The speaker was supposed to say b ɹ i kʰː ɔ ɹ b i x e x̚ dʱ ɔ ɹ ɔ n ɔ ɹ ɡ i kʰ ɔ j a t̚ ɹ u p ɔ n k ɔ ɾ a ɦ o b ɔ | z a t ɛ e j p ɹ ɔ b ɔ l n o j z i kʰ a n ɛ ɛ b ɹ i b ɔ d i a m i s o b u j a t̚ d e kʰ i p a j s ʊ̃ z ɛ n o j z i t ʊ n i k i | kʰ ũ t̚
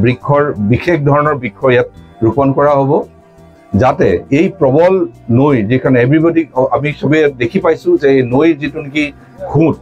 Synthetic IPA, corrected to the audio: b ɹ i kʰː ɔ ɹ b i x e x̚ dʱ ɔ ɹ ɔ n ɔ ɹ b i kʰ ɔ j a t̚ ɹ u p ɔ n k ɔ ɹ a ɦ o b ɔ | z a t ɛ e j p ɹ ɔ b ɔ l n o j z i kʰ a n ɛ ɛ b ɹ i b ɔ d i a m i s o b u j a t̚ d e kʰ i p a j s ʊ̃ z ɛ n o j z i t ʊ n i k i | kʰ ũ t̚